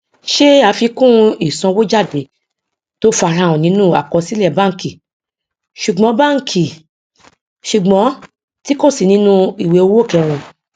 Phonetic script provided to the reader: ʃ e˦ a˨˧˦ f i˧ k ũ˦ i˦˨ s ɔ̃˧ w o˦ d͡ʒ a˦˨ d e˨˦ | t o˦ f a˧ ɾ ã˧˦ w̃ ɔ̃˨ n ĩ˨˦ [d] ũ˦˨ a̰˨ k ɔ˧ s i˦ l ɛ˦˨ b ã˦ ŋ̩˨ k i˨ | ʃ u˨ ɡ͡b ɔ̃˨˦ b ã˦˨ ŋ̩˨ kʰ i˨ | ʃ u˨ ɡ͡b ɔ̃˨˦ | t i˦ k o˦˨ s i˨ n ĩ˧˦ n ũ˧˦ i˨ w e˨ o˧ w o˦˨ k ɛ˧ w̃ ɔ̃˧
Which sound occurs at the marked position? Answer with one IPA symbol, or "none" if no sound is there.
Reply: n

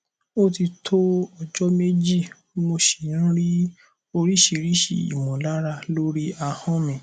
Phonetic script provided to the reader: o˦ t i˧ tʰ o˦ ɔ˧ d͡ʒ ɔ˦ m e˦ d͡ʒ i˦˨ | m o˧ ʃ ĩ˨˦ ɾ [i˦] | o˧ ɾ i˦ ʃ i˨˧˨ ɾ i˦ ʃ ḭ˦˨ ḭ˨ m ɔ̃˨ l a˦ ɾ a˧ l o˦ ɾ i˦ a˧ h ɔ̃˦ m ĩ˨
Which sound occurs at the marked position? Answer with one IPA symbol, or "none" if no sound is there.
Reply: i˦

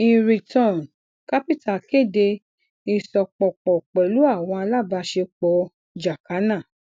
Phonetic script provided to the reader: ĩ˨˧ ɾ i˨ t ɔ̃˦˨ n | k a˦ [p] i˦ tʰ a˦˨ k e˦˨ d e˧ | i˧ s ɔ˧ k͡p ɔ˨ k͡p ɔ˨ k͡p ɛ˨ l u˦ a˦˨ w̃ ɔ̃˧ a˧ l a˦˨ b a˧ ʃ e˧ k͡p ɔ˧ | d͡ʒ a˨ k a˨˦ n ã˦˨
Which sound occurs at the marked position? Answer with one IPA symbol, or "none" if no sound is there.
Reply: p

